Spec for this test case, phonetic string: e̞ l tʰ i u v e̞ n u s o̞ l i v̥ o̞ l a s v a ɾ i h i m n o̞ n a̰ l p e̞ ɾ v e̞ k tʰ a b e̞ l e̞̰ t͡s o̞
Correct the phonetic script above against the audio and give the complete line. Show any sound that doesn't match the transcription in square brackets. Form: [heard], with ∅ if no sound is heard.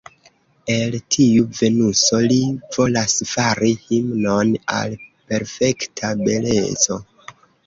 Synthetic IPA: e̞ l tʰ i u v e̞ n u s o̞ l i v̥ o̞ l a s [f] a ɾ i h i m n o̞ n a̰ l p e̞ ɾ [f] e̞ k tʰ a b e̞ l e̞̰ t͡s o̞

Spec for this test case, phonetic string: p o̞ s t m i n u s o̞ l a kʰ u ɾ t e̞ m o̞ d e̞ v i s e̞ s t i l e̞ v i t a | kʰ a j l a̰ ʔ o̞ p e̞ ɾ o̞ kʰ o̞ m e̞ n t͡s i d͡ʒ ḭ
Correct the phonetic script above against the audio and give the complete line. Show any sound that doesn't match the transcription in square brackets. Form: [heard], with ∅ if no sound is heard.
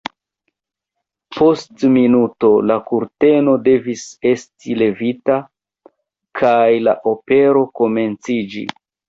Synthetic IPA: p o̞ s t m i n u [t] o̞ l a [k] u ɾ t e̞ [n] o̞ d e̞ v i s e̞ s t i l e̞ v i t a | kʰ a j l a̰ ʔ o̞ p e̞ ɾ o̞ [k] o̞ m e̞ n t͡s i d͡ʒ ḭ

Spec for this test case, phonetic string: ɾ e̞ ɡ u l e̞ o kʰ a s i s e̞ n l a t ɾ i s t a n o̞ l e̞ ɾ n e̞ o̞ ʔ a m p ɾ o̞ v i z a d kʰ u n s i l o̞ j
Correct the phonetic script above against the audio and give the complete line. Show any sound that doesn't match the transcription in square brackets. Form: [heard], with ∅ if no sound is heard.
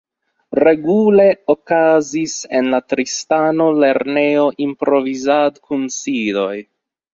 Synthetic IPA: ɾ e̞ ɡ u l e̞ o [k] a [z] i s e̞ n l a t ɾ i s t a n o̞ l e̞ ɾ n e̞ o̞ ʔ [i] m p ɾ o̞ v i z a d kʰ u n s i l o̞ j

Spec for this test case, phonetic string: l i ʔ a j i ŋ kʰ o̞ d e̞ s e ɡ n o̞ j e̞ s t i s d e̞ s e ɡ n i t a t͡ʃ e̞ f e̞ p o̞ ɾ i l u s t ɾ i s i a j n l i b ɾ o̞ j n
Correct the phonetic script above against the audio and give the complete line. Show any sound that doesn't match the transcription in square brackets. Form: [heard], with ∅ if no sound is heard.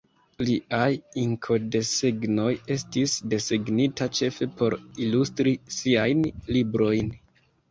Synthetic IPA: l i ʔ a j i ŋ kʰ o̞ d e̞ s e ɡ n o̞ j e̞ s t i s d e̞ s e ɡ n i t a t͡ʃ e̞ f e̞ p o̞ ɾ i l u s t ɾ i s i a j n l i b ɾ o̞ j n

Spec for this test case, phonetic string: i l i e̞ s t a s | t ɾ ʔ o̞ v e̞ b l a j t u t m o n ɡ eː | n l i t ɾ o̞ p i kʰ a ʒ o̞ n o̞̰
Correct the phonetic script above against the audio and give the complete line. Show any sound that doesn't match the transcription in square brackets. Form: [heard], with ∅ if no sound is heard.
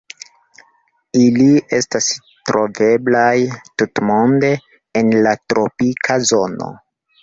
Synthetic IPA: i l i e̞ s t a s | t ɾ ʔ o̞ v e̞ b l a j t u t m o n [d] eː | n l [a] t ɾ o̞ p i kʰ a [z] o̞ n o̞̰

